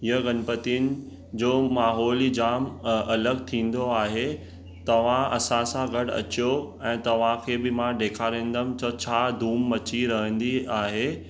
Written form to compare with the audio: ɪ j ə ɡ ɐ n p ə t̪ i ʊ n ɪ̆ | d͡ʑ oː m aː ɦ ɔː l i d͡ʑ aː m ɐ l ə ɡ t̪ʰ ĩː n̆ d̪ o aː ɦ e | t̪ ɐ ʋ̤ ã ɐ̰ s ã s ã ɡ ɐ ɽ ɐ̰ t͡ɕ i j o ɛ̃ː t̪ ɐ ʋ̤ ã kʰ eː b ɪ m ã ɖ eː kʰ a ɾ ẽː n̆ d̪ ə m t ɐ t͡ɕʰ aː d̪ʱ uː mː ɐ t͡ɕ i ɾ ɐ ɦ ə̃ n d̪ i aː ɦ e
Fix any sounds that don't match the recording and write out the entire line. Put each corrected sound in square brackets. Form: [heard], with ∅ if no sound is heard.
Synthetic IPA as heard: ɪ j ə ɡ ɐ n p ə t̪ i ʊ n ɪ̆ | d͡ʑ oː m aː ɦ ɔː l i d͡ʑ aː m ɐ l ə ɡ t̪ʰ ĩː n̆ d̪ o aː ɦ e | t̪ ɐ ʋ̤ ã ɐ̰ s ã s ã ɡ ɐ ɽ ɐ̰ t͡ɕ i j o ɛ̃ː t̪ ɐ ʋ̤ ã kʰ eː b ɪ m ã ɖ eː kʰ a ɾ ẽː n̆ d̪ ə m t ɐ t͡ɕʰ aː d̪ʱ uː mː ɐ t͡ɕ i ɾ ɐ ɦ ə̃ n d̪ i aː ɦ e